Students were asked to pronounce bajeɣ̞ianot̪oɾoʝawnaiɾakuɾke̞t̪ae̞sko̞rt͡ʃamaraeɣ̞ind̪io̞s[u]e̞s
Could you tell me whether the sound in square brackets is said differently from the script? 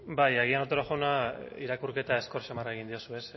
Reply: no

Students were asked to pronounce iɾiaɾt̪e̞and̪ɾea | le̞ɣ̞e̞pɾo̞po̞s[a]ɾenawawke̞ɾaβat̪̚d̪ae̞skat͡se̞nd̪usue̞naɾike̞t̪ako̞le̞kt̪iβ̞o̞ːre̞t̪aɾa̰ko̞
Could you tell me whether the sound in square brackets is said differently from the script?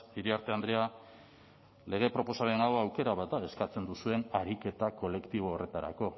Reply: no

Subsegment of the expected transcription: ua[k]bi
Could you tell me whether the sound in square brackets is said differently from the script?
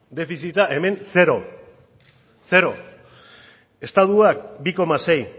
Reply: no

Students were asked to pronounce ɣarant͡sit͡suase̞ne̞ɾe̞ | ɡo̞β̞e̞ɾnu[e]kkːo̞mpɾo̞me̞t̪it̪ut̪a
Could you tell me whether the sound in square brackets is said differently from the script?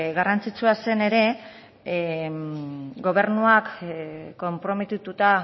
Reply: yes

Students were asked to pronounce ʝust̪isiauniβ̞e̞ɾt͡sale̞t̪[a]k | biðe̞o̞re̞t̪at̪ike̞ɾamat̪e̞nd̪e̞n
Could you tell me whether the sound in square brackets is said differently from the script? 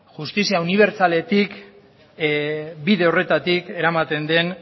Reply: yes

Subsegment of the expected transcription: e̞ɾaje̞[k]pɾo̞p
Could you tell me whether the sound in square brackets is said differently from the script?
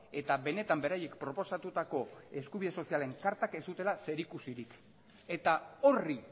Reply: no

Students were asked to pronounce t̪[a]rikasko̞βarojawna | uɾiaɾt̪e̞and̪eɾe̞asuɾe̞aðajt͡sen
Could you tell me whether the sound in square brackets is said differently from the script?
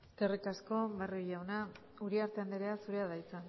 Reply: yes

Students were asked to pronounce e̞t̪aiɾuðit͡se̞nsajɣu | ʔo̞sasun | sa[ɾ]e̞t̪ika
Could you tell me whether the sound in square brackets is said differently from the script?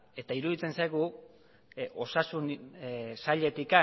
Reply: yes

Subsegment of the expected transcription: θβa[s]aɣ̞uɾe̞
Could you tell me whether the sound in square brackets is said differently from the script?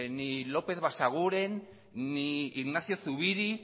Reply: no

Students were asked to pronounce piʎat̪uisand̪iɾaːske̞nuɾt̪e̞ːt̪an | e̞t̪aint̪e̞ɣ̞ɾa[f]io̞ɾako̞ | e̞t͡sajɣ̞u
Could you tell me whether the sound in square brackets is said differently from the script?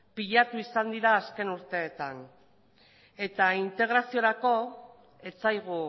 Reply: yes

